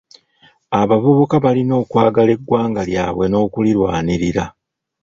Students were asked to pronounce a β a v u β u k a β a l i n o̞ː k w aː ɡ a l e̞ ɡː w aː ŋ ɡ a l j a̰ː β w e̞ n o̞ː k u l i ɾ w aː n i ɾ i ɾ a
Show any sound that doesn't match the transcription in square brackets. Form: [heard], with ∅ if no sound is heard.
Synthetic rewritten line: a β a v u β u k a β a l i n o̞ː k w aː ɡ a l e̞ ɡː w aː ŋ ɡ a l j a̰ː β w e̞ n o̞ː k u l i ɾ w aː n i ɾ i ɾ a